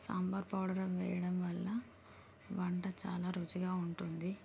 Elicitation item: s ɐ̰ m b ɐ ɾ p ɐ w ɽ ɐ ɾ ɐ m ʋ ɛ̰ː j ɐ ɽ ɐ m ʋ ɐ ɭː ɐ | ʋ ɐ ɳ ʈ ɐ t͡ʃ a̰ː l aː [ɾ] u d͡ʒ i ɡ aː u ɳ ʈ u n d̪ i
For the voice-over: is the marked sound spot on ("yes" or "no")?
yes